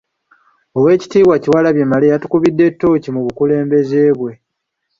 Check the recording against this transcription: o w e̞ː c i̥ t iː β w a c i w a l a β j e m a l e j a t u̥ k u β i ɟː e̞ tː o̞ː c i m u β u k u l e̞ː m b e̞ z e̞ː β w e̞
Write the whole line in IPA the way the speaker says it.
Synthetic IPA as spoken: o w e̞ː c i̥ t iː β w a c i w a l a β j e m a l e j a t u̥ k u β i dː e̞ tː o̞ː c i m u β u k u l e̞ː m b e̞ z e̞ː β w e̞